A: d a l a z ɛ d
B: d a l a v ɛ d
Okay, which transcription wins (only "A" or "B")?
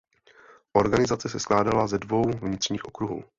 A